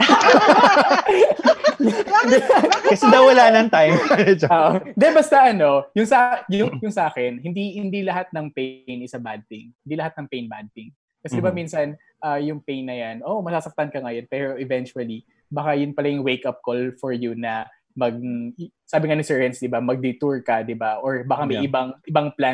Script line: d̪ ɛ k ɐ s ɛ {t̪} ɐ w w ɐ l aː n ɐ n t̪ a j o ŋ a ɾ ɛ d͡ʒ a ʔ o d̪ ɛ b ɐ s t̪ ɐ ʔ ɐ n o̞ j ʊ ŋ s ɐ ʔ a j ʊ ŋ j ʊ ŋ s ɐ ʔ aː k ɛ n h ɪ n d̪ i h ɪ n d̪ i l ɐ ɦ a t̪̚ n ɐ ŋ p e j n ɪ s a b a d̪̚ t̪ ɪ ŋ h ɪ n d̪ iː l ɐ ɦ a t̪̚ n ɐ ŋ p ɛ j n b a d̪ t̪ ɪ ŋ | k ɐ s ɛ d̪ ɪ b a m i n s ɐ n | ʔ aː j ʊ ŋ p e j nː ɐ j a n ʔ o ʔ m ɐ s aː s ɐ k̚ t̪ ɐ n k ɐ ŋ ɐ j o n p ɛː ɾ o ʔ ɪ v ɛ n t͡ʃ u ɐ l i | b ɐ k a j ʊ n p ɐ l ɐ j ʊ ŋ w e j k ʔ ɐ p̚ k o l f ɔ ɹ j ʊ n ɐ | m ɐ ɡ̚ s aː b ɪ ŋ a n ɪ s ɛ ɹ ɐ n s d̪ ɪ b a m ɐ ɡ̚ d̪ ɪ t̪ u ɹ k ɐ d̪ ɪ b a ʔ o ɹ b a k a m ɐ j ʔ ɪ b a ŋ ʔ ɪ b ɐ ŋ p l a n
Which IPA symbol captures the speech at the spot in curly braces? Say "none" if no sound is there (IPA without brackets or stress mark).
d̪